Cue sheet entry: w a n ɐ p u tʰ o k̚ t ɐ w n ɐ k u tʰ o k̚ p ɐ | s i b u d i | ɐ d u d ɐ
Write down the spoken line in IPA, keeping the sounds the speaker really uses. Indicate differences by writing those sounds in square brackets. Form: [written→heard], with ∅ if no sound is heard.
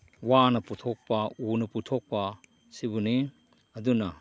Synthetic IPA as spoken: w a n ɐ p u tʰ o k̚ [t→p] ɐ [w→u] n ɐ [k→p] u tʰ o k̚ p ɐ | s i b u [d→n] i | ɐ d u [d→n] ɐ